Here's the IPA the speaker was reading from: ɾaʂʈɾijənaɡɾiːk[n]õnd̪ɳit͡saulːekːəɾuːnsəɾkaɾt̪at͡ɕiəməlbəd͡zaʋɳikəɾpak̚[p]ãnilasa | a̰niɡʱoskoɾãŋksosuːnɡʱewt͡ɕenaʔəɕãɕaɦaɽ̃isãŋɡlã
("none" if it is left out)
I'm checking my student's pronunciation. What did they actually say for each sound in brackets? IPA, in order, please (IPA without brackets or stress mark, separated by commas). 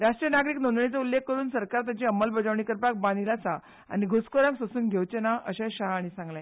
n, b